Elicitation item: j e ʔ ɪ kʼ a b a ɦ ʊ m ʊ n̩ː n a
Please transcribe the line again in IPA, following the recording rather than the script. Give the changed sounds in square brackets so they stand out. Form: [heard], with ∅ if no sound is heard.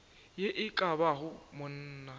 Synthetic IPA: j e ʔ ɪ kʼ a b a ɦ ʊ m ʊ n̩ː n a